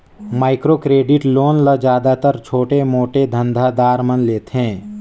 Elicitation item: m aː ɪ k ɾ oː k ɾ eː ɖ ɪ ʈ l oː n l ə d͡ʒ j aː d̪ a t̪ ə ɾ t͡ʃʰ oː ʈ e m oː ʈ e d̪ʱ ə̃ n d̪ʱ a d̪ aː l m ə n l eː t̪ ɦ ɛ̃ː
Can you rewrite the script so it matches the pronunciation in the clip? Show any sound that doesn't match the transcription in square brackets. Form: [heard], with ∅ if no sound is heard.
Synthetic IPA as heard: m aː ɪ k ɾ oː k ɾ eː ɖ ɪ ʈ l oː n l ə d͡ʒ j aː d̪ a t̪ ə ɾ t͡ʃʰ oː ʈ e m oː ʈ e d̪ʱ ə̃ n d̪ʱ a d̪ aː [ɾ] m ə n l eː t̪ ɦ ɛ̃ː